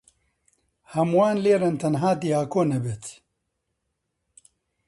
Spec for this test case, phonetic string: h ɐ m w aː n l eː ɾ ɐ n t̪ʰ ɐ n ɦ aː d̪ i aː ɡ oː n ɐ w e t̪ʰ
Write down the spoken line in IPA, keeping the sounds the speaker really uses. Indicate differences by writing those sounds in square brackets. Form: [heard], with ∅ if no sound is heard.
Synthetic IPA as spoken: h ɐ m w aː n l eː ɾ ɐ n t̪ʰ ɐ n ɦ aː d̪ i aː [k] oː n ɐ [b] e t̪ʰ